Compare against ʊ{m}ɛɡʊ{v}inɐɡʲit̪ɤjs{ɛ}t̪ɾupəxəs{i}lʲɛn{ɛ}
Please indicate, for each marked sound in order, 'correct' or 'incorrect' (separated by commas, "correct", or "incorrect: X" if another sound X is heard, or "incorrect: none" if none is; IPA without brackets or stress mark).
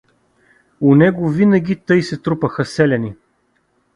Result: incorrect: n, correct, correct, incorrect: ɛ, incorrect: i